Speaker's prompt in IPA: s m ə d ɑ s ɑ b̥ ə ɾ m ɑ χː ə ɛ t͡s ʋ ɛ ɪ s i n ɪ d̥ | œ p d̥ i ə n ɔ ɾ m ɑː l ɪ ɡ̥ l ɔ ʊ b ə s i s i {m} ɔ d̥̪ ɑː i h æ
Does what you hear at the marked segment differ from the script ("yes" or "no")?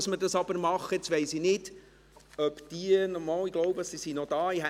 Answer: yes